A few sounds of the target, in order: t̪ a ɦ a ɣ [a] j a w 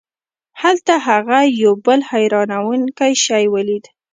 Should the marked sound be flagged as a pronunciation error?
no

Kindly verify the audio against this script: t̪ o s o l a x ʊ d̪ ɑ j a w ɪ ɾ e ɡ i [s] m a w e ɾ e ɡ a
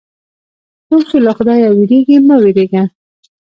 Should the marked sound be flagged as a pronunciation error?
yes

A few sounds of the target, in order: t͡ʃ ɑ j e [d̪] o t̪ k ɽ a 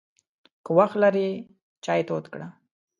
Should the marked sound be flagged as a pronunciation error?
yes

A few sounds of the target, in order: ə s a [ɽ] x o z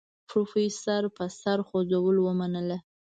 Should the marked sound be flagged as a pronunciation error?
yes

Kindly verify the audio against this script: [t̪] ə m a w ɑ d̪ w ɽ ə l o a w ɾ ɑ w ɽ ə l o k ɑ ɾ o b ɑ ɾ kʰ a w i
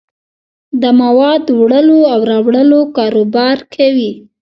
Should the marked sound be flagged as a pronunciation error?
yes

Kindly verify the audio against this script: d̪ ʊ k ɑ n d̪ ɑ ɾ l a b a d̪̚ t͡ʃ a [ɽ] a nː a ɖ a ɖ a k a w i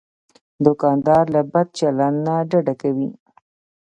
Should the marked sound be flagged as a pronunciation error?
yes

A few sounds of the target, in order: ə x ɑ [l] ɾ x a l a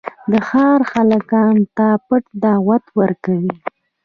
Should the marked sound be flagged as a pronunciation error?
yes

